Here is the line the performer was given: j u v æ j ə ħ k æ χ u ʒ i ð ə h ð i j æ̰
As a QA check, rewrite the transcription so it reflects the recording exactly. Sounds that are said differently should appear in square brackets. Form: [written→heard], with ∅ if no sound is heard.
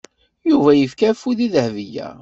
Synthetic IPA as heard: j u v æ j ə [ħ→f] k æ [χ→f] u [ʒ→ð] i ð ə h [ð→v] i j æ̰